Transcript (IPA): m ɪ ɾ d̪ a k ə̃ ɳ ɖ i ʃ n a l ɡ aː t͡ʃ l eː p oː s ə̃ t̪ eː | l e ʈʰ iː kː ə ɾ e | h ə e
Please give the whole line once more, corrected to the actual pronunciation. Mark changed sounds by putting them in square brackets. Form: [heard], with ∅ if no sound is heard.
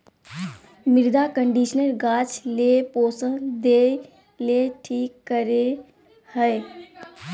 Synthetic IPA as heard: m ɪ ɾ d̪ a k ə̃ ɳ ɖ i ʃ n [ə] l ɡ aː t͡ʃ l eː p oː s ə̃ [d̪] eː | l e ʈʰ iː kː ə ɾ e | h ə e